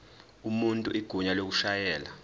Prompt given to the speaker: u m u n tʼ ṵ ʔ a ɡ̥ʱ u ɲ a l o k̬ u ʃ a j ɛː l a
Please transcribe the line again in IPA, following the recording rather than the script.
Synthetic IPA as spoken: u m u n tʼ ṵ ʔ i ɡ̥ʱ u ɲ a l o k̬ u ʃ a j ɛː l a